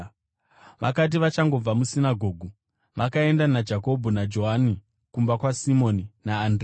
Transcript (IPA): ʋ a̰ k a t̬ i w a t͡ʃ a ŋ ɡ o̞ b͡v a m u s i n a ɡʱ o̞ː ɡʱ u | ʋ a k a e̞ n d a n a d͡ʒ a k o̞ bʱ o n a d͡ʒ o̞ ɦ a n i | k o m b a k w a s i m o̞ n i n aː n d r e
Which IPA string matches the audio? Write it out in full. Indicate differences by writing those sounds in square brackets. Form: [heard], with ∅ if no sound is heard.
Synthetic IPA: ʋ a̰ k a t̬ i [ʋ] a t͡ʃ a ŋ ɡ o̞ b͡v a m u s i n a ɡʱ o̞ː ɡʱ u | ʋ a k a e̞ n d a n a d͡ʒ a k o̞ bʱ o n a d͡ʒ o̞ ɦ a n i | k [u] m b a k w a s i m o̞ n i n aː n d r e